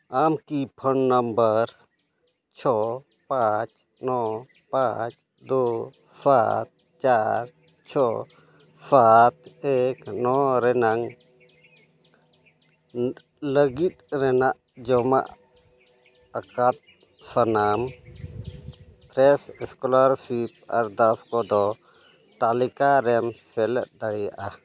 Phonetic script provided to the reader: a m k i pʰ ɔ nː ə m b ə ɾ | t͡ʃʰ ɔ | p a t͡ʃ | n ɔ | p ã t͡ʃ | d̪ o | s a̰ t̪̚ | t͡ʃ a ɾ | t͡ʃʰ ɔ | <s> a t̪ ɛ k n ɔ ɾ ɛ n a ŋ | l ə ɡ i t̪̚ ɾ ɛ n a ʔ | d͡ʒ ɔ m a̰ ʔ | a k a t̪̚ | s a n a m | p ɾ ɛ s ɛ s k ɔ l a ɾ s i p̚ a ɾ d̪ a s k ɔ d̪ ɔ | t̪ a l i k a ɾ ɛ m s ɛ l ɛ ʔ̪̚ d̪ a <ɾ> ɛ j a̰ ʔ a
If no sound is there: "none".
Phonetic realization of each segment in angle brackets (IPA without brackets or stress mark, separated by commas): s, ɽ